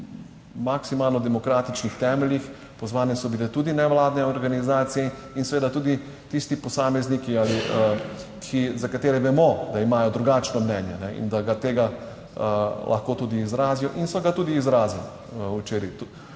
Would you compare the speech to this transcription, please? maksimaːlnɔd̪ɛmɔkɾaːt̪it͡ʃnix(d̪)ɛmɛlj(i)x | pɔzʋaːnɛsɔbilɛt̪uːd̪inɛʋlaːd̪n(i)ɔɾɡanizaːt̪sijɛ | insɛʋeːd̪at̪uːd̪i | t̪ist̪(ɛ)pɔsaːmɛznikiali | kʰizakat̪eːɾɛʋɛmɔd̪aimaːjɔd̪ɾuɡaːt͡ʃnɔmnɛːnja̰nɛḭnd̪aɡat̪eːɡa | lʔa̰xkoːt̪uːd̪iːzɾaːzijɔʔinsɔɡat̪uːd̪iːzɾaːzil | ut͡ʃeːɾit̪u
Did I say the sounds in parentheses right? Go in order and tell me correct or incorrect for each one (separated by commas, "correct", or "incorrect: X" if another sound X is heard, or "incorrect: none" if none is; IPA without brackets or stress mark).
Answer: incorrect: t̪, correct, incorrect: ɛ, incorrect: i